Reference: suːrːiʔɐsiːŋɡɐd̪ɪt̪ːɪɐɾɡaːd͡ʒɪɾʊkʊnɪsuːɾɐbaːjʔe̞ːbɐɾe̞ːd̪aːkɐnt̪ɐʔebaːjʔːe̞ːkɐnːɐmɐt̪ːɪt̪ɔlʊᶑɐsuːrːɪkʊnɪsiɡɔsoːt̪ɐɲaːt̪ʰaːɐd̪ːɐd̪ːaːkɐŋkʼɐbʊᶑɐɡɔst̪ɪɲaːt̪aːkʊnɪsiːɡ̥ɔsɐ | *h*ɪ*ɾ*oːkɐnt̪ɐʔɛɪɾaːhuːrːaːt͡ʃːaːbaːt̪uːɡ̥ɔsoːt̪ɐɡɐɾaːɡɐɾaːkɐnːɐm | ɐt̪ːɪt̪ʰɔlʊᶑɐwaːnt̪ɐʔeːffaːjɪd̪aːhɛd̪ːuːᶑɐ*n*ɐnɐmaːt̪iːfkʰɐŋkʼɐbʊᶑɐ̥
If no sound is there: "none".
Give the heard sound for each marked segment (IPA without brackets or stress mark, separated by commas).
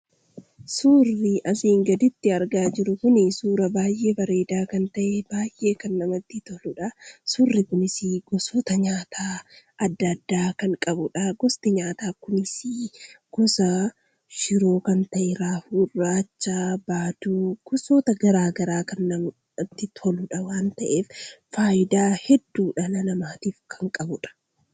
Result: ʃ, ɾ, n